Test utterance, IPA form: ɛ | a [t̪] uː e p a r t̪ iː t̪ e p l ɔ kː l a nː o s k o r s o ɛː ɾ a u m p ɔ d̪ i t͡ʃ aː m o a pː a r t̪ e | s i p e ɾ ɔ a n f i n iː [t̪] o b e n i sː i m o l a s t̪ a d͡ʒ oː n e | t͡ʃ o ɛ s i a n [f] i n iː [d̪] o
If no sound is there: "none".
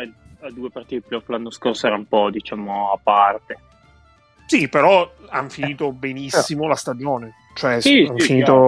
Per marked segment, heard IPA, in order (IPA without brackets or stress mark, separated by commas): d̪, t̪, f, t̪